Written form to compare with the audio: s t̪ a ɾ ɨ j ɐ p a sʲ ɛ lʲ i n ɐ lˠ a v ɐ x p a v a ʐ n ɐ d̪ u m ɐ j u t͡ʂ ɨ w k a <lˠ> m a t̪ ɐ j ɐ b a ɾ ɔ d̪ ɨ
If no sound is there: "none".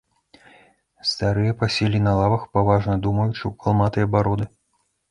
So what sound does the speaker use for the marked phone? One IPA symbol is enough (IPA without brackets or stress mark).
lˠ